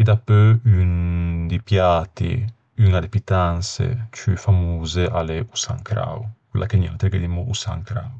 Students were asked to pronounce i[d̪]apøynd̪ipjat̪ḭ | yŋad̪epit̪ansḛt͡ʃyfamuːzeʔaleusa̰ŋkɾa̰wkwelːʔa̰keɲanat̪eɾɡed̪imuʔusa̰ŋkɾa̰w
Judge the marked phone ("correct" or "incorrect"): correct